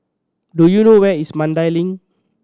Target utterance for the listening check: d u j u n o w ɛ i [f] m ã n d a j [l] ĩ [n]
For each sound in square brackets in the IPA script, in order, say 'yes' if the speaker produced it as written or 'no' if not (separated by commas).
no, yes, no